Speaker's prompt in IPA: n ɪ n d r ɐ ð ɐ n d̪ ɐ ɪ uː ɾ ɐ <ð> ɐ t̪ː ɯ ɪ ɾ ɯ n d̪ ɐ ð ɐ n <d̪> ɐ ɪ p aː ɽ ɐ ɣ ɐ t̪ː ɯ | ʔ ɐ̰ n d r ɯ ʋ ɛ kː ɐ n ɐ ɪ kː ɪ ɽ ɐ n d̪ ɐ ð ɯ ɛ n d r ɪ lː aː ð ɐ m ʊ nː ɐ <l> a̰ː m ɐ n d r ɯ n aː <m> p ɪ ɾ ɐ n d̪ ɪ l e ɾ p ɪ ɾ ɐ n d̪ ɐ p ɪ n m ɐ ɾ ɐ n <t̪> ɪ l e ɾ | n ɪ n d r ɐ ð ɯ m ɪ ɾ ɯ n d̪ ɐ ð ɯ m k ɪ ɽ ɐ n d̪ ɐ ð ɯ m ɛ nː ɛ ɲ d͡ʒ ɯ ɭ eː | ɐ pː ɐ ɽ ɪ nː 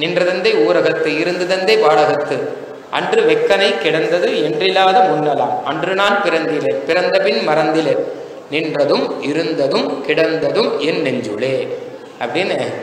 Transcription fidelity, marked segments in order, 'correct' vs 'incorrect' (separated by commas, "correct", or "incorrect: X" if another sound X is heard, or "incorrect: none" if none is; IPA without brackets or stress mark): incorrect: ɣ, correct, correct, incorrect: n, incorrect: d̪